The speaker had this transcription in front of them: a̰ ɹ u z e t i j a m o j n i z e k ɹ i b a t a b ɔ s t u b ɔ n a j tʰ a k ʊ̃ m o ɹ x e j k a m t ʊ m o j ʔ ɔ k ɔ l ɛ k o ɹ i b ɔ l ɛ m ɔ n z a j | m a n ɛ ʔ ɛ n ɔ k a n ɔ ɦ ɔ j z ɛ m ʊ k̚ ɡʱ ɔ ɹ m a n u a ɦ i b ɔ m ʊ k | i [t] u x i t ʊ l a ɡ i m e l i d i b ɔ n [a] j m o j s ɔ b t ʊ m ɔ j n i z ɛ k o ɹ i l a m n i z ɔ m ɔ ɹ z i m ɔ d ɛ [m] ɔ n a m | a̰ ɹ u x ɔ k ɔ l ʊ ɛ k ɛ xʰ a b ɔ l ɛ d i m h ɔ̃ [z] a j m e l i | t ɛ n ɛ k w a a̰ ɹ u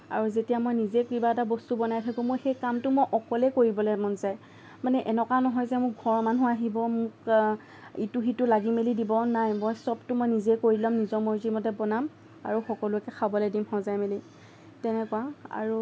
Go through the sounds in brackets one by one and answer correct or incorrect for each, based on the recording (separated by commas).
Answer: correct, correct, incorrect, correct